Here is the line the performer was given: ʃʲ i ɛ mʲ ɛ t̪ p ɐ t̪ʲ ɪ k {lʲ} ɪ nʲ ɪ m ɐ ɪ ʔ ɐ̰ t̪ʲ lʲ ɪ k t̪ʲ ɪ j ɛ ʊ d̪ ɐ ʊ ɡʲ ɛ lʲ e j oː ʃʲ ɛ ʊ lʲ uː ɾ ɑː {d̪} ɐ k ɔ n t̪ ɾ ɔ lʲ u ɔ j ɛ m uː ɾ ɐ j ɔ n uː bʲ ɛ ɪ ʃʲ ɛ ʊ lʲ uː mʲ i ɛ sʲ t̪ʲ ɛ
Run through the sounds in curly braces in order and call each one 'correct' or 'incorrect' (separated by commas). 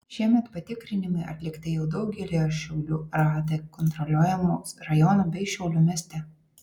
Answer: incorrect, correct